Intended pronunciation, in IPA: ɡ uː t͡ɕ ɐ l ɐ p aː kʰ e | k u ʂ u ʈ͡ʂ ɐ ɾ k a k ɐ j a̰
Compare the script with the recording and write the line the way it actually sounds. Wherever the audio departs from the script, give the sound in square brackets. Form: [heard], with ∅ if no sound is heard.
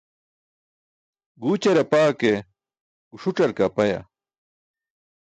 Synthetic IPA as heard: ɡ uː t͡ɕ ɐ [ɾ] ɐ p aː [k] e | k u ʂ u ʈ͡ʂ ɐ ɾ k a [p] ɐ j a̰